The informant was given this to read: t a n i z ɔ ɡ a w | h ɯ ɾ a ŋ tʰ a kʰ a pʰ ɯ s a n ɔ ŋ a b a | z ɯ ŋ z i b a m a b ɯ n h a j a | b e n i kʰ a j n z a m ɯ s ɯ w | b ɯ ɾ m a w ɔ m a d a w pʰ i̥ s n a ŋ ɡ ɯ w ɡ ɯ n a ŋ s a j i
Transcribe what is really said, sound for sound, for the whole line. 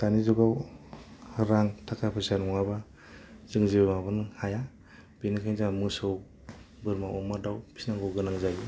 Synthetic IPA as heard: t a n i z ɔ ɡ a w | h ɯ ɾ a ŋ tʰ a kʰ a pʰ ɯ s a n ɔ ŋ a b a | z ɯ ŋ z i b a m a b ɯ n h a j a | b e n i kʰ a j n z a m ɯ s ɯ w | b ɯ ɾ m a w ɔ m a d a w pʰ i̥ s n a ŋ ɡ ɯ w ɡ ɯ n a ŋ z a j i